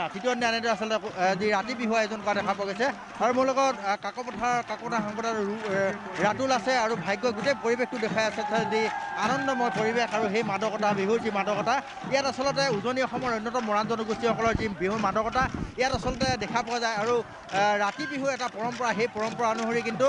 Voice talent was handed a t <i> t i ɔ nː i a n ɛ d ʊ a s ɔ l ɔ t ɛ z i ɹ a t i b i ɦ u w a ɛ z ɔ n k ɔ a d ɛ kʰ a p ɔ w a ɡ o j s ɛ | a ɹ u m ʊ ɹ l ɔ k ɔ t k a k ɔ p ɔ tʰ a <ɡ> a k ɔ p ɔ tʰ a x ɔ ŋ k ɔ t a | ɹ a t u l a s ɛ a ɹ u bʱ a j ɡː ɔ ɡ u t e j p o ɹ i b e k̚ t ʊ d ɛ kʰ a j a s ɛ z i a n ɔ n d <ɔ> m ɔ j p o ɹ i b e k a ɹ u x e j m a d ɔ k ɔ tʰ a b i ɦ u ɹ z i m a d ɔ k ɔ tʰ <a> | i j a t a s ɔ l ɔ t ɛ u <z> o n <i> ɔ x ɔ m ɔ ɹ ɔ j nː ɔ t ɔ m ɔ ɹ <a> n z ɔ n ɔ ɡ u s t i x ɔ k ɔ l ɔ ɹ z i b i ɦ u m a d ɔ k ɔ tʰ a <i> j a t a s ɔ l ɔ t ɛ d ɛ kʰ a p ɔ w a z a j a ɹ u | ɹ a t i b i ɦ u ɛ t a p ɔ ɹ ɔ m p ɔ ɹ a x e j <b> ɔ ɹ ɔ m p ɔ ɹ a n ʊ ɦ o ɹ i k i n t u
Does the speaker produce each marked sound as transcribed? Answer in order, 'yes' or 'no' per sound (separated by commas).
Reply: yes, no, yes, yes, yes, yes, yes, yes, no